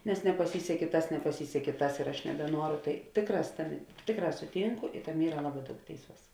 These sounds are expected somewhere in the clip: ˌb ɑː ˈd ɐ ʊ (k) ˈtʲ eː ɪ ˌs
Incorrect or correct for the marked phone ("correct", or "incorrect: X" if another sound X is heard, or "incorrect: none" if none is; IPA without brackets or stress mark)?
correct